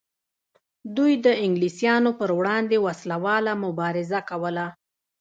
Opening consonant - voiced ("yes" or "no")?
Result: yes